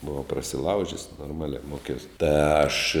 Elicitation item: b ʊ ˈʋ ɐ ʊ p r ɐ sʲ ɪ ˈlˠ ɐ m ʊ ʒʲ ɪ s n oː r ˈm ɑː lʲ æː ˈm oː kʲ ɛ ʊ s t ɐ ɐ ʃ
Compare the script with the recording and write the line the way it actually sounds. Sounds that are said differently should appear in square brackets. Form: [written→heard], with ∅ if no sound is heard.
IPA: b ʊ ˈʋ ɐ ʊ p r ɐ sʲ ɪ ˈlˠ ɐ [m→∅] ʊ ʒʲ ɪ s n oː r ˈm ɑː lʲ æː ˈm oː kʲ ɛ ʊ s t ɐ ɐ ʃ